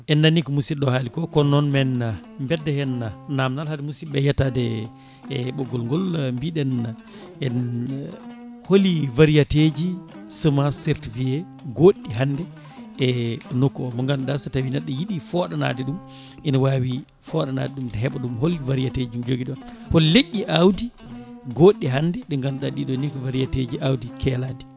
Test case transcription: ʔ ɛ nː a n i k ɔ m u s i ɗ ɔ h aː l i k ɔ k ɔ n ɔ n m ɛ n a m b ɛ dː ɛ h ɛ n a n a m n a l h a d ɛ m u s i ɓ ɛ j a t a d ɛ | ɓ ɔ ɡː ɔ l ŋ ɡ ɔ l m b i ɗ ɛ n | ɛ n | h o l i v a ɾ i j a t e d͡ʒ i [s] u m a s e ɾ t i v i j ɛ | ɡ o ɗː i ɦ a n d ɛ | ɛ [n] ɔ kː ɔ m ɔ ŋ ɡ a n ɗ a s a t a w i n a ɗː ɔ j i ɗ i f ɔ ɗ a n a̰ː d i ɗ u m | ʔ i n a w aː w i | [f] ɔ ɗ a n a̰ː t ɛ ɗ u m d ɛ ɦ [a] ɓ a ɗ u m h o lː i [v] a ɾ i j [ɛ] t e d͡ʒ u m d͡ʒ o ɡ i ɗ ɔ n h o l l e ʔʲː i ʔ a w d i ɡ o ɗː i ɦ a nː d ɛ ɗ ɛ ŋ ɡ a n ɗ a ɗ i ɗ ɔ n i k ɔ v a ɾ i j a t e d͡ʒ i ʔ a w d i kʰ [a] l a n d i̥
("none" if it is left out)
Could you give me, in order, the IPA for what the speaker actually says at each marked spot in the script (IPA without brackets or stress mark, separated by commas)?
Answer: s, n, f, ɛ, v, a, ɛ